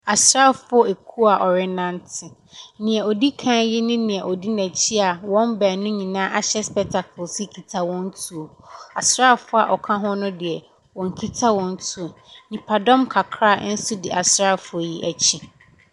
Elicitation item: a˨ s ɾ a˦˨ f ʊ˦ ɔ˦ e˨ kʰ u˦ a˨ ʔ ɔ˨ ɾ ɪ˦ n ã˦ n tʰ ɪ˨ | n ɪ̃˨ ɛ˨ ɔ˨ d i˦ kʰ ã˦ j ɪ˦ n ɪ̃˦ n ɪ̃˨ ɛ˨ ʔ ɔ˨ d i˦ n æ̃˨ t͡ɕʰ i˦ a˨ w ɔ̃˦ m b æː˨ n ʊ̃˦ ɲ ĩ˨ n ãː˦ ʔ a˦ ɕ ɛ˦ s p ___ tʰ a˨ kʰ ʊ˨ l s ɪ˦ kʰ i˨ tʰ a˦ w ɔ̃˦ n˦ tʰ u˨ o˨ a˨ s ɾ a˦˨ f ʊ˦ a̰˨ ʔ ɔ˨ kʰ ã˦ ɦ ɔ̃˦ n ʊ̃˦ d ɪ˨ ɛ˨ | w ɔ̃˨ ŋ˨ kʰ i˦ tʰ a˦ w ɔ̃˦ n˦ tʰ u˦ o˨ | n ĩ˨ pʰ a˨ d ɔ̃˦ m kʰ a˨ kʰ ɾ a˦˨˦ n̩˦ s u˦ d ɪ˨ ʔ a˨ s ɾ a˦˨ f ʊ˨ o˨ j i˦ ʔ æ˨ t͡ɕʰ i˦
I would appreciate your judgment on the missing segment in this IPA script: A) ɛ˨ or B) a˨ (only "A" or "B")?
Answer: A